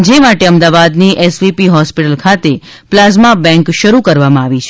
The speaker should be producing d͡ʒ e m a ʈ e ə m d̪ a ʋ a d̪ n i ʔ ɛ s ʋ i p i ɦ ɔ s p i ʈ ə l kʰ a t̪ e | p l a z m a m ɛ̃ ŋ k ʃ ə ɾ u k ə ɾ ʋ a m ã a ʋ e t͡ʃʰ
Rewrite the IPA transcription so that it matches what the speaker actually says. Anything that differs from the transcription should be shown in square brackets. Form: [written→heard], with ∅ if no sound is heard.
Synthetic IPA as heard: d͡ʒ e m a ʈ e ə m d̪ a ʋ a d̪ n i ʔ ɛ s ʋ i p i ɦ ɔ s p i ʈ ə l kʰ a t̪ e | p l a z m a [m→b] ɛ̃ ŋ k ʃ ə ɾ u k ə ɾ ʋ a m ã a ʋ [e→i] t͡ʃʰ